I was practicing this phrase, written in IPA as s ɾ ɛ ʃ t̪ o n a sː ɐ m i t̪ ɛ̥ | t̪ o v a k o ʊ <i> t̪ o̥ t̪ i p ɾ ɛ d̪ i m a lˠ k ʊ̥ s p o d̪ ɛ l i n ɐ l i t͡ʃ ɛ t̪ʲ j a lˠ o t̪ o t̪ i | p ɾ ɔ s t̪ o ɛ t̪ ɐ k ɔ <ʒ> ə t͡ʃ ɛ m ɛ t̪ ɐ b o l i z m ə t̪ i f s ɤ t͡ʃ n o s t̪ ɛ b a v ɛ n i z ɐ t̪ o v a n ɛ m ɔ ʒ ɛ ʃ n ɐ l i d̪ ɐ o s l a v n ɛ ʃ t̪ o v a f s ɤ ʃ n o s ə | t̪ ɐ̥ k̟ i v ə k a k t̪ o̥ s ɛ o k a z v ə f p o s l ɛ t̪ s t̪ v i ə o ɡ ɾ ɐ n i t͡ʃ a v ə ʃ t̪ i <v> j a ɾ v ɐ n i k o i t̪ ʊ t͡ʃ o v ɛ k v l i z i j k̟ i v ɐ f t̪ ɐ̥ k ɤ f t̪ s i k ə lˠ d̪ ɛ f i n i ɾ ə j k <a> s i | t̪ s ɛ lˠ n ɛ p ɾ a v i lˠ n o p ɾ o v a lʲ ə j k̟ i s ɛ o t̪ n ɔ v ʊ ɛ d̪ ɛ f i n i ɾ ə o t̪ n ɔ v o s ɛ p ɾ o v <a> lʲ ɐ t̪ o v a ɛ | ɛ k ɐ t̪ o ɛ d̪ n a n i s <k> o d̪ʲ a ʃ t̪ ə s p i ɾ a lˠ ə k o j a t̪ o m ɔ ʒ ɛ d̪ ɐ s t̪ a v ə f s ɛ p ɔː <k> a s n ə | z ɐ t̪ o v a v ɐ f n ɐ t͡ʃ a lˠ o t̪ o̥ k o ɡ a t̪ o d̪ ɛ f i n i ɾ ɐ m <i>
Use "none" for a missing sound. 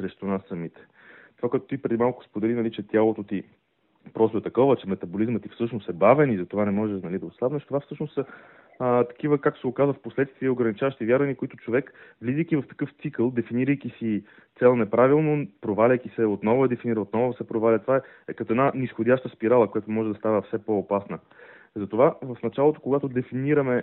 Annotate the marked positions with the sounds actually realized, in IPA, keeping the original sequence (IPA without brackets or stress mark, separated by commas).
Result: ɛ, v, v, i, a, x, p, ɛ